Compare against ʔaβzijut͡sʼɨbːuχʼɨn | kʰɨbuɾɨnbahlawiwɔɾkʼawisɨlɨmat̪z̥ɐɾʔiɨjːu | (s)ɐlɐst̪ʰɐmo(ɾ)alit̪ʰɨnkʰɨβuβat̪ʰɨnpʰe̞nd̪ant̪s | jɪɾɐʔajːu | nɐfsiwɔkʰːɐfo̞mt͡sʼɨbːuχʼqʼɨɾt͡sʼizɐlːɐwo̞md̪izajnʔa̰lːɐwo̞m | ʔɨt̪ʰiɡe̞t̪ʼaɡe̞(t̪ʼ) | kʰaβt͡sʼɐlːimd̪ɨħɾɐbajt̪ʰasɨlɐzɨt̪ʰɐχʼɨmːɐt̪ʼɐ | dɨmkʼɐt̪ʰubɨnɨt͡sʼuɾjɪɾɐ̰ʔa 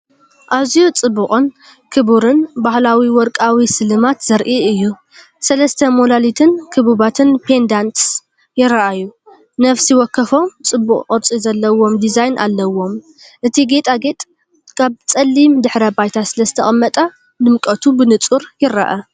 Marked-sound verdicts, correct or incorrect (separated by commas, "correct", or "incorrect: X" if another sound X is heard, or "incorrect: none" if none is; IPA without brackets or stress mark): correct, incorrect: l, correct